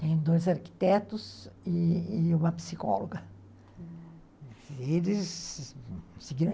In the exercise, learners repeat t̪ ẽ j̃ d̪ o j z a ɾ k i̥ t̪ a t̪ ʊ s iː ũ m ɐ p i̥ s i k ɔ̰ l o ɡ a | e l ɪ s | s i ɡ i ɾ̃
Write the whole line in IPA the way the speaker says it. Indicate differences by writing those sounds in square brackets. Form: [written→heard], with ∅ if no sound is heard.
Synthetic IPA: t̪ ẽ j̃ d̪ o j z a ɾ k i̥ t̪ [a→ɛ] t̪ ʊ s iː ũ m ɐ p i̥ s i k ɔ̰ l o ɡ [a→ɐ] | e l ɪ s | s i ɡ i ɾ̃